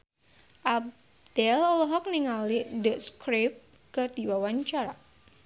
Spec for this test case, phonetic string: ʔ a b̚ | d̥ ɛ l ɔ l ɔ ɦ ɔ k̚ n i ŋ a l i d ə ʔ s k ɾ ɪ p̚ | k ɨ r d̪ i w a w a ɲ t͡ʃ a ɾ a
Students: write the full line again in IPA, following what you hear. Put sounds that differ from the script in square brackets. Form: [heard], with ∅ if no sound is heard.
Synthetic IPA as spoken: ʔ a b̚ | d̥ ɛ l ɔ l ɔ ɦ ɔ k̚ n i ŋ a l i d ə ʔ s k ɾ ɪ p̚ | k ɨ r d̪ i w a w a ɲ t͡ʃ a ɾ a

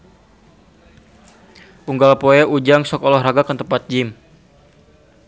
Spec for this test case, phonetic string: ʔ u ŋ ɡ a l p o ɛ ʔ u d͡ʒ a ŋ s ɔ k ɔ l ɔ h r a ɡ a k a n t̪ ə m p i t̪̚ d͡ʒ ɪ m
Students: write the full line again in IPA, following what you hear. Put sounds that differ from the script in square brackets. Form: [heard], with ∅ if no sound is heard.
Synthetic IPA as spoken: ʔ u ŋ ɡ a l p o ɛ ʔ u d͡ʒ a ŋ s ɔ k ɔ l ɔ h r a ɡ a k a n t̪ ə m p [a] t̪̚ d͡ʒ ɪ m

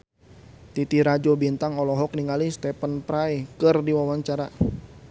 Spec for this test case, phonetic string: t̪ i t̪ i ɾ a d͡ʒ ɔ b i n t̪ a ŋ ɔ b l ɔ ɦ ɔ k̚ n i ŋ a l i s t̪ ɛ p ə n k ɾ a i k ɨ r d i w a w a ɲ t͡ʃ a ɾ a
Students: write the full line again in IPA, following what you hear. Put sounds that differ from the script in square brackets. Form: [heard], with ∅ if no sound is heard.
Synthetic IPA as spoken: t̪ i t̪ i ɾ a d͡ʒ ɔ b i n t̪ a ŋ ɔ [∅] l ɔ ɦ ɔ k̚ n i ŋ a l i s t̪ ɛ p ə n [p] ɾ a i k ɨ r d i w a w a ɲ t͡ʃ a ɾ a

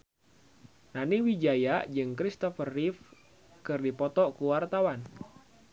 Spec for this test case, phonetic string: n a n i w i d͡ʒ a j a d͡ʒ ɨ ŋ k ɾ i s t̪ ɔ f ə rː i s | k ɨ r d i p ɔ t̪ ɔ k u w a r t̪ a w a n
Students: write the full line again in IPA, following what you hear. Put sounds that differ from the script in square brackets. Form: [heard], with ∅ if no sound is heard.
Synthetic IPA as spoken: n a n i w i d͡ʒ a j a d͡ʒ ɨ ŋ k ɾ i s t̪ ɔ f ə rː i [f] | k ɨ r d i p ɔ t̪ ɔ k u w a r t̪ a w a n

